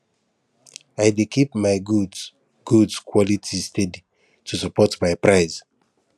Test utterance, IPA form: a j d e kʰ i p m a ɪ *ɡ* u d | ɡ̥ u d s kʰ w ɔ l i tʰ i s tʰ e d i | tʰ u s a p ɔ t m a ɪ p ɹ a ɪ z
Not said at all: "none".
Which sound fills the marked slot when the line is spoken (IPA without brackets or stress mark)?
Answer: ɡ